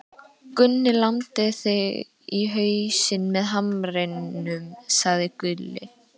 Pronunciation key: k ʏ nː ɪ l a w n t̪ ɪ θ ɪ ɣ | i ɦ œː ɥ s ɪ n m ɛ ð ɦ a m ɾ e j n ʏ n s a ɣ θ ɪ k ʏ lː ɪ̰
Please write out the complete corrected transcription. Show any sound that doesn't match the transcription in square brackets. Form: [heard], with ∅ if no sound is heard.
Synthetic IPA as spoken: k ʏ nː ɪ l a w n t̪ ɪ θ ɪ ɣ | i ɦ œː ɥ s ɪ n m ɛ ð ɦ a m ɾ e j n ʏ [m] s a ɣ [ð] ɪ k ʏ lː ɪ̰